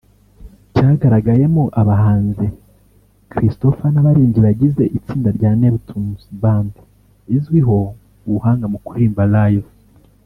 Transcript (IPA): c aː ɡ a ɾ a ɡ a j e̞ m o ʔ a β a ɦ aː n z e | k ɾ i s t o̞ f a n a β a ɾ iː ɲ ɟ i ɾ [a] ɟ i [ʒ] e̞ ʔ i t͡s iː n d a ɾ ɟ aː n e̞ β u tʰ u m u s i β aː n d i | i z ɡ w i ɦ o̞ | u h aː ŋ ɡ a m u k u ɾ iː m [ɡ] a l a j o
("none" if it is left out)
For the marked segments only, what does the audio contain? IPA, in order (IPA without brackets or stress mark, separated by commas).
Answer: a, z, b